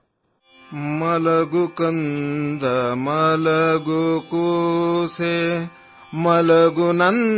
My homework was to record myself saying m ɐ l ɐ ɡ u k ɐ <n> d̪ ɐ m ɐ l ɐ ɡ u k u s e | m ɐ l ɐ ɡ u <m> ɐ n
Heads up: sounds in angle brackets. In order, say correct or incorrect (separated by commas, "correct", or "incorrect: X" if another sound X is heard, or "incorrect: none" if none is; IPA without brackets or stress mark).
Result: correct, incorrect: n